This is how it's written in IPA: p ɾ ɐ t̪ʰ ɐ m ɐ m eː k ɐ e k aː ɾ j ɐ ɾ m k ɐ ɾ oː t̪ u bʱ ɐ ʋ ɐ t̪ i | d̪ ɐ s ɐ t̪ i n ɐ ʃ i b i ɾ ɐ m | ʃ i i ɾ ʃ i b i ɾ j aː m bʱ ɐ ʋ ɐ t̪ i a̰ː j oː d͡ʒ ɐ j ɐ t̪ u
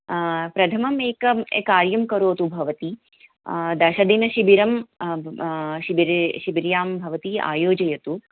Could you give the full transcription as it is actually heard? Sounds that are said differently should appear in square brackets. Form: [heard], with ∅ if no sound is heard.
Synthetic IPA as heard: p ɾ ɐ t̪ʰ ɐ m ɐ m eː k ɐ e k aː ɾ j ɐ [∅] m k ɐ ɾ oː t̪ u bʱ ɐ ʋ ɐ t̪ i | d̪ ɐ [ʃ] ɐ [d̪] i n ɐ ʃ i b i ɾ ɐ m | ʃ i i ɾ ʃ i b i ɾ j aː m bʱ ɐ ʋ ɐ t̪ i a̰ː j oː d͡ʒ ɐ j ɐ t̪ u